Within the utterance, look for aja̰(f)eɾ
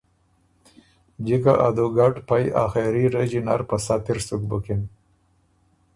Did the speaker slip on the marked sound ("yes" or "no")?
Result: yes